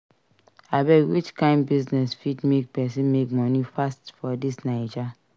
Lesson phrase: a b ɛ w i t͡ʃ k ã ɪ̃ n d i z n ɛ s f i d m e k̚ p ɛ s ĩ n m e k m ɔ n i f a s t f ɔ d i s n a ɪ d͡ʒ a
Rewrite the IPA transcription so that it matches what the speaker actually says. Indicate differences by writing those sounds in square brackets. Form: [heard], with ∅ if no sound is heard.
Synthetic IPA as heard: a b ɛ w i t͡ʃ k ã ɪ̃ n [b] i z n ɛ s f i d m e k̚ p ɛ s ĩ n m e k m ɔ n i f a s t f ɔ d i s n a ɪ d͡ʒ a